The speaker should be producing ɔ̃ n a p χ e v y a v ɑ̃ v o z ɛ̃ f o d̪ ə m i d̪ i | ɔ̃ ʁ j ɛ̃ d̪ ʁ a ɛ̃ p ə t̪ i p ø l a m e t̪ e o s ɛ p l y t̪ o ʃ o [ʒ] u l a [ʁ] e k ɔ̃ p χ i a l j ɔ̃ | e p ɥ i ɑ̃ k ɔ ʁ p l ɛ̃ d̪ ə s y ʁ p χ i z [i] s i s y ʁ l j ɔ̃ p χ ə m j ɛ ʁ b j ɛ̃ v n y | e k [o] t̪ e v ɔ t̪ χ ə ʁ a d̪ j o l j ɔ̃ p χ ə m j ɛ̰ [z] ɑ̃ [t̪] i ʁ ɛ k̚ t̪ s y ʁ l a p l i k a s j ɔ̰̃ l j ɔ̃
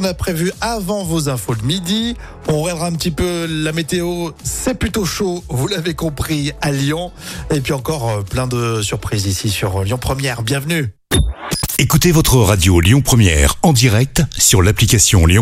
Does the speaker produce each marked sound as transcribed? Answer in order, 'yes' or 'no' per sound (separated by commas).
no, no, yes, no, no, no